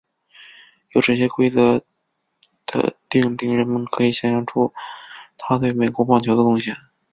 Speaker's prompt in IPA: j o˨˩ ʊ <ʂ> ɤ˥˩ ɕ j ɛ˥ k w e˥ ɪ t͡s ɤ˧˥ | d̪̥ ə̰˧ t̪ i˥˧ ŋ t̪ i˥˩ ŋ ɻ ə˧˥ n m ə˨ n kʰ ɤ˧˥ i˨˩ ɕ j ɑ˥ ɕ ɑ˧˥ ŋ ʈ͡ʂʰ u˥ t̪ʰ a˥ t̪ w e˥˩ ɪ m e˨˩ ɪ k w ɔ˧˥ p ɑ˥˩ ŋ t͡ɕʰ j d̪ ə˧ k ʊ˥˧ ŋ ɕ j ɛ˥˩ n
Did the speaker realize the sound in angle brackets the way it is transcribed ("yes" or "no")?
no